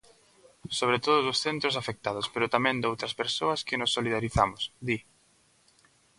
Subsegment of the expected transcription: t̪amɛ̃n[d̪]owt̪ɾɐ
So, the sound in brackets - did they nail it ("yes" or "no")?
yes